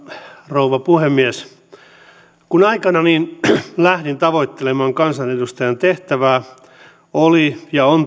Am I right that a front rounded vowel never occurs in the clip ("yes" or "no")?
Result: yes